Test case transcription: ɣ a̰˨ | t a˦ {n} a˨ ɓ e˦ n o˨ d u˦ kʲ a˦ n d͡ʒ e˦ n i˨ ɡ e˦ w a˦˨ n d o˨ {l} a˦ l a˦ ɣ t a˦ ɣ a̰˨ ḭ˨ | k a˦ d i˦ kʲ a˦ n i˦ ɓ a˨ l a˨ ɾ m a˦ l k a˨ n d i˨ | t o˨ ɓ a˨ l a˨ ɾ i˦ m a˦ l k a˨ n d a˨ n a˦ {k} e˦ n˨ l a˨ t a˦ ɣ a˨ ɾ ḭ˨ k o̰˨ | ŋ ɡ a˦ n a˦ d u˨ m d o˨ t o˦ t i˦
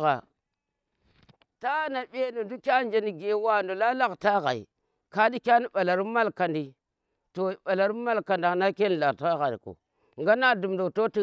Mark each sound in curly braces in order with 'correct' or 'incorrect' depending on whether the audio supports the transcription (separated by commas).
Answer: correct, correct, correct